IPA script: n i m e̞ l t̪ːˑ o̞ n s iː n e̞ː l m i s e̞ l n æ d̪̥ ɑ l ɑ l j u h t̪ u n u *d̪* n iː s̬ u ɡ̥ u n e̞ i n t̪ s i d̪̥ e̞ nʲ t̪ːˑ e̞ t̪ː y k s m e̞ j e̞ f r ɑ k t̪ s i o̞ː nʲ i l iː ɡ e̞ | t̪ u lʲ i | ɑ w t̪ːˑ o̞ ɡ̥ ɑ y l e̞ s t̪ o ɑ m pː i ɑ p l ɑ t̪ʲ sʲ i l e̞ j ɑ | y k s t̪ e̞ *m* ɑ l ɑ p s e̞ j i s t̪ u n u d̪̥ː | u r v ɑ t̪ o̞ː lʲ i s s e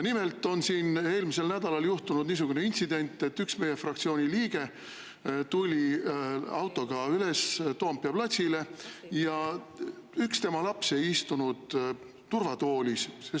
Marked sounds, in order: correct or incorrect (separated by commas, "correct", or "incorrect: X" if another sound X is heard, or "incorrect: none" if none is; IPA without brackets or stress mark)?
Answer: correct, correct